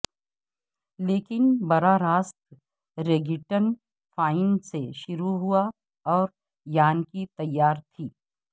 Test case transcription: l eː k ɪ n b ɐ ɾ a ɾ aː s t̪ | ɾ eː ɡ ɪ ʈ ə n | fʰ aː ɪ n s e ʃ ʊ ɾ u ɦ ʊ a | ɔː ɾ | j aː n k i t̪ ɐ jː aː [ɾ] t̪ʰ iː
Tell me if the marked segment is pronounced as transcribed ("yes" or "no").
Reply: yes